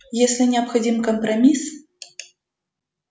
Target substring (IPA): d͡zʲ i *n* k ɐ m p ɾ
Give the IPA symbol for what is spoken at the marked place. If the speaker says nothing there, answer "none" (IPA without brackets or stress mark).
m